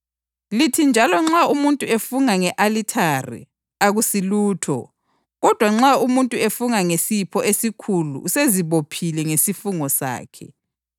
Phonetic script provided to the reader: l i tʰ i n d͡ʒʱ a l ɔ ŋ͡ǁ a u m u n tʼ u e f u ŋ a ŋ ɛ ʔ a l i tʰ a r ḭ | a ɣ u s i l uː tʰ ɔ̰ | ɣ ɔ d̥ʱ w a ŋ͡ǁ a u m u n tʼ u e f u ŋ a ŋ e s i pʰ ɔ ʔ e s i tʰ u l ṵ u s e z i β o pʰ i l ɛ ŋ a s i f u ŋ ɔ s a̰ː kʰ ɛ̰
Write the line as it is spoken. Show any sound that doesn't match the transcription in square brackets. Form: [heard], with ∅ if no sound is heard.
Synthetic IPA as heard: l i tʰ i n d͡ʒʱ a l ɔ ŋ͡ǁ a u m u n tʼ u e f u ŋ a ŋ ɛ ʔ a l i tʰ a r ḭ | a ɣ u s i l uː tʰ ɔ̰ | ɣ ɔ d̥ʱ w a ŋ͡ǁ a u m u n tʼ u e f u ŋ a ŋ e s i pʰ ɔ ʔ e s i [kʰ] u l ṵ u s e z i β o pʰ i l ɛ ŋ [e] s i f u ŋ ɔ s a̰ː kʰ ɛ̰